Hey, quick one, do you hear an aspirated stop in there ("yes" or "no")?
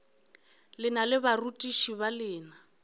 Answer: no